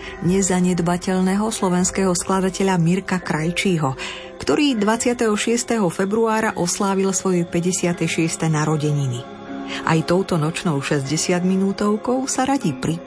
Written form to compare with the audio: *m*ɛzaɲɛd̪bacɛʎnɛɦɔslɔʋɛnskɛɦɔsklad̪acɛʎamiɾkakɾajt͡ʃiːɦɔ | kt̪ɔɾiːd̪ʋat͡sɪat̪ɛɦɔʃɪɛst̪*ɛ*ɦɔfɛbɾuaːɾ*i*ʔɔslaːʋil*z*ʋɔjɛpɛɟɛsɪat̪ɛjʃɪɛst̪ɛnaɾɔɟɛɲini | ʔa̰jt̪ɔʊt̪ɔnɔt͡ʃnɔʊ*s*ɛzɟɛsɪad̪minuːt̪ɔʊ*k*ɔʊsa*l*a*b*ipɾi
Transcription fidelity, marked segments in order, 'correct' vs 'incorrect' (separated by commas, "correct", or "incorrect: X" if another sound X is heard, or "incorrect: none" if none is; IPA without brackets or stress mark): incorrect: ɲ, correct, incorrect: a, incorrect: s, incorrect: ʃ, correct, incorrect: ɾ, incorrect: ɟ